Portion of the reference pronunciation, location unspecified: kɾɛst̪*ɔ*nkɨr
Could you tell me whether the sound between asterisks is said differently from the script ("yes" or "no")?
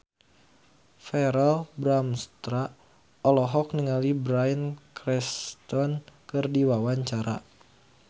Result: no